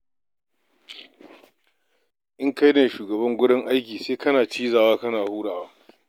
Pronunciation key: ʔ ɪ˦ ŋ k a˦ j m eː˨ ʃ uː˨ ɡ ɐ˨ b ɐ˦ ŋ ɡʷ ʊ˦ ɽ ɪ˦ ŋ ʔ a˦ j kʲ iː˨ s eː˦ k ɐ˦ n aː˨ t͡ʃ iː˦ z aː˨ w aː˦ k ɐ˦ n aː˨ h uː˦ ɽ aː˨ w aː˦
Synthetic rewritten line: ʔ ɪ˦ ŋ k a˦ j n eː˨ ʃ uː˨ ɡ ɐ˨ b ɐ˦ ŋ ɡʷ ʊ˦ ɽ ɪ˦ ŋ ʔ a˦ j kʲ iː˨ s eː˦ k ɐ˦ n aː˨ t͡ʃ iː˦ z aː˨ w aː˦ k ɐ˦ n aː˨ h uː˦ ɽ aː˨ w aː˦